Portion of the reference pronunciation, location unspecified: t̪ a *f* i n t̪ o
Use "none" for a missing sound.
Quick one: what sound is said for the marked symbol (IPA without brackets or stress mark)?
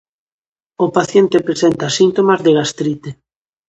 s